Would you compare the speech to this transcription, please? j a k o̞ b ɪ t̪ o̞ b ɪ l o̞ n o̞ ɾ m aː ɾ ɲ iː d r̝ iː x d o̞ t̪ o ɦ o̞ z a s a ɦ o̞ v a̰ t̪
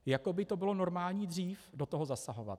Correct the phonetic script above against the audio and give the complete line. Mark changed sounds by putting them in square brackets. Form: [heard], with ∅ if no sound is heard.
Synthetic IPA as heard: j a k o̞ b ɪ t̪ o̞ b ɪ l o̞ n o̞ ɾ m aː [l] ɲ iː d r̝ iː [f] d o̞ t̪ o ɦ o̞ z a s a ɦ o̞ v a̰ t̪

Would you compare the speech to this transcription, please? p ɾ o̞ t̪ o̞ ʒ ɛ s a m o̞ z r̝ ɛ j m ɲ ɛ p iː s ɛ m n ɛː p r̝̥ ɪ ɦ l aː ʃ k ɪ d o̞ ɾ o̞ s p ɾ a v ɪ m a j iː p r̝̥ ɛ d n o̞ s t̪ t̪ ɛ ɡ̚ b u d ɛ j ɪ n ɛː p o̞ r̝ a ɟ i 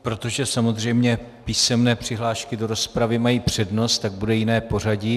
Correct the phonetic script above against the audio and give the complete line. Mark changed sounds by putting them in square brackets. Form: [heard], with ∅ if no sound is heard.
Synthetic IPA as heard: p ɾ o̞ t̪ o̞ ʒ ɛ s a m o̞ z r̝ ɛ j m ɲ ɛ p iː s ɛ m n ɛː p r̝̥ ɪ ɦ l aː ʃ k ɪ d o̞ ɾ o̞ s p ɾ a v ɪ m a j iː p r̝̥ ɛ d n o̞ s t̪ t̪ [a] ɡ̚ b u d ɛ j ɪ n ɛː p o̞ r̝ a ɟ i

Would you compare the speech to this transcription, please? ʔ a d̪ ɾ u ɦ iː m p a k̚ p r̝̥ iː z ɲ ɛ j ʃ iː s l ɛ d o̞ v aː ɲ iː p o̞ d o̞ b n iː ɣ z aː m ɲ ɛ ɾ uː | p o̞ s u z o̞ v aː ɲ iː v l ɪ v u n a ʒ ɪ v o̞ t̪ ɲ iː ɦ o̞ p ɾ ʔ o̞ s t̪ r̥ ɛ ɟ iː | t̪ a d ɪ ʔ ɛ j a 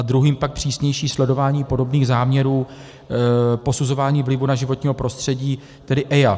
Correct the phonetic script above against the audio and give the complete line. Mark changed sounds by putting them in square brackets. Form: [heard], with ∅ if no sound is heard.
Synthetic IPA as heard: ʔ a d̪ ɾ u ɦ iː m p a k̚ p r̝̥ iː [s] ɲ ɛ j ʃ iː s l ɛ d o̞ v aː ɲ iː p o̞ d o̞ b n iː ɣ z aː m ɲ ɛ ɾ uː | p o̞ s u z o̞ v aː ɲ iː v l ɪ v u n a ʒ ɪ v o̞ t̪ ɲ iː ɦ o̞ p ɾ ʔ o̞ s t̪ r̥ ɛ ɟ iː | t̪ [ɛ] d ɪ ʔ ɛ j a

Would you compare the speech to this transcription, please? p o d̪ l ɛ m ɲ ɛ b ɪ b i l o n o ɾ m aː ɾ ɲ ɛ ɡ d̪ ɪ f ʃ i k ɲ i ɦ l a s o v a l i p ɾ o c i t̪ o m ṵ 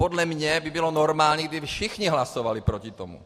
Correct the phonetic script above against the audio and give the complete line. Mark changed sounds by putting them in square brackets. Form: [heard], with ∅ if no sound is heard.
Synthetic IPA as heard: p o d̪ l ɛ m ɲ ɛ b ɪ b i l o n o ɾ m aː [l] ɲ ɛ ɡ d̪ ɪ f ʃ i [x] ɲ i ɦ l a s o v a l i p ɾ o c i t̪ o m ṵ

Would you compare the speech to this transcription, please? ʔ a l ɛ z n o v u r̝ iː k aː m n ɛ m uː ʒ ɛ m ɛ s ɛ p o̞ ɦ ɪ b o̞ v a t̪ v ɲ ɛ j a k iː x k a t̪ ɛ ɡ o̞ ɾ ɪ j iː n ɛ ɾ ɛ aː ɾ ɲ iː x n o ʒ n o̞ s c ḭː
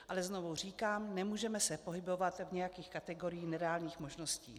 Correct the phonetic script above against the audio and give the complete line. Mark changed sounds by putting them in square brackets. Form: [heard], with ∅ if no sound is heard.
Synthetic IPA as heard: ʔ a l ɛ z n o v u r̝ iː k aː m n ɛ m uː ʒ ɛ m ɛ s ɛ p o̞ ɦ ɪ b o̞ v a t̪ v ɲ ɛ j a k iː x k a t̪ ɛ ɡ o̞ ɾ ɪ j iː n ɛ ɾ ɛ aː [l] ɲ iː x [m] o ʒ n o̞ s c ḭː

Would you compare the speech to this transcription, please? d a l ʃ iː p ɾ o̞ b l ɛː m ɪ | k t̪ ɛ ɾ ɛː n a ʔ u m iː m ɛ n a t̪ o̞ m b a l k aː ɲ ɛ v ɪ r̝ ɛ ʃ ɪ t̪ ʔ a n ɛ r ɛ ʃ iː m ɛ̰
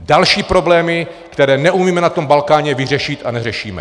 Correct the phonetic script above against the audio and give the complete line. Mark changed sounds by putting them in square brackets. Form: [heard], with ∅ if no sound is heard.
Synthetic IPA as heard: d a l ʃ iː p ɾ o̞ b l ɛː m ɪ | k t̪ ɛ ɾ ɛː n [ɛ] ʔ u m iː m ɛ n a t̪ o̞ m b a l k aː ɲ ɛ v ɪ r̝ ɛ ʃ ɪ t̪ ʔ a n ɛ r ɛ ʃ iː m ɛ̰

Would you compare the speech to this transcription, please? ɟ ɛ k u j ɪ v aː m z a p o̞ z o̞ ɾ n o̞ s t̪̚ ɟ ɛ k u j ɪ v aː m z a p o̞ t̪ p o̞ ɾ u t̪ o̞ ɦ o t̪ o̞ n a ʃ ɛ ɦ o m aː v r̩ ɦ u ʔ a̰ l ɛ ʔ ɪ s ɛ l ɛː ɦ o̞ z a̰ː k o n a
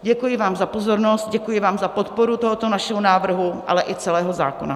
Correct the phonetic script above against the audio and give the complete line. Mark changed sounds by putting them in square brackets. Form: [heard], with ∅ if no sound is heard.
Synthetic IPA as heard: ɟ ɛ k u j ɪ v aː m z a p o̞ z o̞ ɾ n o̞ s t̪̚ ɟ ɛ k u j ɪ v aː m z a p o̞ t̪ p o̞ ɾ u t̪ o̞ ɦ o t̪ o̞ n a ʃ ɛ ɦ o [n] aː v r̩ ɦ u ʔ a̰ l ɛ ʔ ɪ [t͡s] ɛ l ɛː ɦ o̞ z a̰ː k o n a

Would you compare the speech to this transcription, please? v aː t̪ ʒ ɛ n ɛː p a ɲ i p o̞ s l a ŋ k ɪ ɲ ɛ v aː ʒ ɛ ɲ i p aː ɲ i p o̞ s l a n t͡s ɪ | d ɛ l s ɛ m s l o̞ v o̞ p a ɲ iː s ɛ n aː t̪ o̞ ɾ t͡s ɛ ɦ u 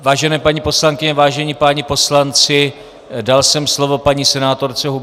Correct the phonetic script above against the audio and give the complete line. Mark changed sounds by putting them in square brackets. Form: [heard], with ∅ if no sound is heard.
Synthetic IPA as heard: v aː [∅] ʒ ɛ n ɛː p a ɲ i p o̞ s l a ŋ k ɪ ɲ ɛ v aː ʒ ɛ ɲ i p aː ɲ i p o̞ s l a n t͡s ɪ | d [a] l s ɛ m s l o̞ v o̞ p a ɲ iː s ɛ n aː t̪ o̞ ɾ t͡s ɛ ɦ u

